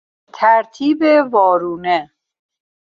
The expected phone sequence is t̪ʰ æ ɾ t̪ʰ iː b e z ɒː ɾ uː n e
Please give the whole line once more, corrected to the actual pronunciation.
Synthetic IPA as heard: t̪ʰ æ ɾ t̪ʰ iː b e v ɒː ɾ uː n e